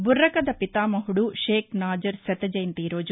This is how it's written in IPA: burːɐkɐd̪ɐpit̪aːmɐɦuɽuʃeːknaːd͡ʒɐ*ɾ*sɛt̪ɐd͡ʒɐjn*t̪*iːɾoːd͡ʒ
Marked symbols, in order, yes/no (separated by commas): yes, yes